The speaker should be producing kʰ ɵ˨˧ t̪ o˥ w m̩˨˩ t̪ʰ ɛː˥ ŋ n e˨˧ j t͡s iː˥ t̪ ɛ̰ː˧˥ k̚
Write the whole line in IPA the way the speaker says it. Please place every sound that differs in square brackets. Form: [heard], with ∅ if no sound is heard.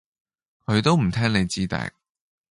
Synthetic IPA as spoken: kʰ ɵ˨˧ t̪ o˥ w m̩˨˩ t̪ʰ ɛː˥ ŋ n e˨˧ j t͡s iː˥ t̪ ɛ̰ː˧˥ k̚